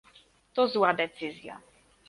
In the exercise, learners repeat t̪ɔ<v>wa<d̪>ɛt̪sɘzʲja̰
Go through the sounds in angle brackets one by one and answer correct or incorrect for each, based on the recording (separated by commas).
incorrect, correct